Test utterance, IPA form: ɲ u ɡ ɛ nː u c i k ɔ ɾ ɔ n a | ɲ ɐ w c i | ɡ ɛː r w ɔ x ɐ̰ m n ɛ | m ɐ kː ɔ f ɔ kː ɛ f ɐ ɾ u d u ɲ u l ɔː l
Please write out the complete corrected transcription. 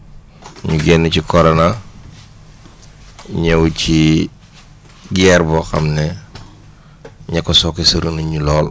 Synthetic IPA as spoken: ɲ u ɡ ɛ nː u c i k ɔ ɾ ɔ n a | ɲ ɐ w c i | ɡ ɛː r b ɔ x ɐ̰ m n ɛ | ɲ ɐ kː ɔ s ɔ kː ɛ s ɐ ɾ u n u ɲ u l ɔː l